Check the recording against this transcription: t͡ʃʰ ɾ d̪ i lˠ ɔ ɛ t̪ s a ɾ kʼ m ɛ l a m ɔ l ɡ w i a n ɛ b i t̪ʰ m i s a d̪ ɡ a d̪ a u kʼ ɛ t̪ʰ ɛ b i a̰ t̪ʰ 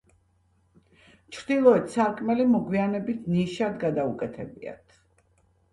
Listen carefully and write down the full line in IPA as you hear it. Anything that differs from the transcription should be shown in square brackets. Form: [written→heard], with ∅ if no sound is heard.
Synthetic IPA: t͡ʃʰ ɾ d̪ i lˠ ɔ ɛ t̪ s a ɾ kʼ m ɛ l [a→i] m ɔ [l→∅] ɡ w i a n ɛ b i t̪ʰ [m→n] i [s→ʃ] a d̪ ɡ a d̪ a u kʼ ɛ t̪ʰ ɛ b i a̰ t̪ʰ